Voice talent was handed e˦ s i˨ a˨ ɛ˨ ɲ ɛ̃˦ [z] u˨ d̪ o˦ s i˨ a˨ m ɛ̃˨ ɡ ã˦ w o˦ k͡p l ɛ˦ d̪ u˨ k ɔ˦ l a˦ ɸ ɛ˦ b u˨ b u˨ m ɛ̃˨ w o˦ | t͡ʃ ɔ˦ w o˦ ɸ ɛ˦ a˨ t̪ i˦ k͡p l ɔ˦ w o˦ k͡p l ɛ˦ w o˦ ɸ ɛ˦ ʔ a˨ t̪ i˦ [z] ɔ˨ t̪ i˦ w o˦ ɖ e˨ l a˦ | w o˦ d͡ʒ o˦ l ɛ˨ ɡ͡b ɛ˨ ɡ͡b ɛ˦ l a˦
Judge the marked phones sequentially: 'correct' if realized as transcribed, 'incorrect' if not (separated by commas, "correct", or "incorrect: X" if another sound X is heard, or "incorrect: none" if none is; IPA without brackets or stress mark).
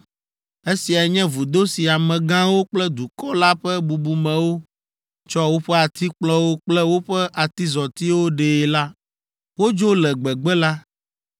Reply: incorrect: v, correct